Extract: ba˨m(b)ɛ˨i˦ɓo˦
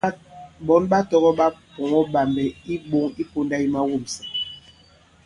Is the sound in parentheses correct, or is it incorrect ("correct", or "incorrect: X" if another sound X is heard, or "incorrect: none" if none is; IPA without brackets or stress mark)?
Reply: correct